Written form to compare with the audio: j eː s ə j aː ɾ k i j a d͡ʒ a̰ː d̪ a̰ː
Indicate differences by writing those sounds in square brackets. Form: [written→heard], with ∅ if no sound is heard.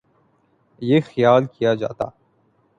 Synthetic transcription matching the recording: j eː [s→x] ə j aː [ɾ→l] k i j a d͡ʒ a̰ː [d̪→t̪] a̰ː